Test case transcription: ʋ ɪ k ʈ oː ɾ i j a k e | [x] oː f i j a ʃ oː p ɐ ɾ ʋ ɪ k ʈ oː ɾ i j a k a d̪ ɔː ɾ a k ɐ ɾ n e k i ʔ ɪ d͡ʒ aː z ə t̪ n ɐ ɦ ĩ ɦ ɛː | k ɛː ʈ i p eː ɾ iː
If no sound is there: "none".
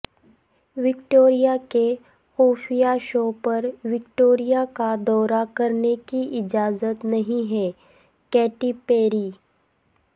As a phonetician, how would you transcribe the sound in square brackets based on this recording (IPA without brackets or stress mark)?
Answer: x